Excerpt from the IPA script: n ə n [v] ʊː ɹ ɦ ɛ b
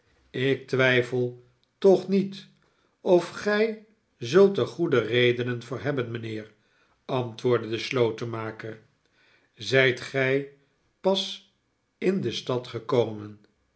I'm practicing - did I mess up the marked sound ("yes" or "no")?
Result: no